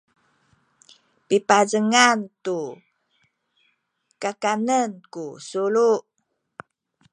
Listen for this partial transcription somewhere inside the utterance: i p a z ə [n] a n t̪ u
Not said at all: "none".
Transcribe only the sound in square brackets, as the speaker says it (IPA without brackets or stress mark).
ŋ